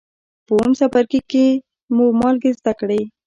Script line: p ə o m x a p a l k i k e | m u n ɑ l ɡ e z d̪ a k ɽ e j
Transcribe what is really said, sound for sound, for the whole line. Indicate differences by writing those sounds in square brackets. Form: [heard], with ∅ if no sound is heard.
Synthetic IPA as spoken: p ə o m [s] a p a [ɾ] k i k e | m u [m] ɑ l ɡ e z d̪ a k ɽ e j